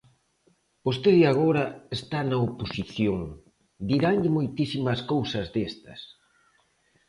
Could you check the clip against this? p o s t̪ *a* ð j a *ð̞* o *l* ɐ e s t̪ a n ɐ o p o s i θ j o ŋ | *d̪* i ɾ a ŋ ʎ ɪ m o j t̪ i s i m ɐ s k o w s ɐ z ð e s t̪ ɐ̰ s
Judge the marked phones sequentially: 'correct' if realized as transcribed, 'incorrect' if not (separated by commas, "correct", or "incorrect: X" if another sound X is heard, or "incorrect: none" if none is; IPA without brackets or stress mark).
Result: incorrect: e, incorrect: ɣ̞, incorrect: ɾ, correct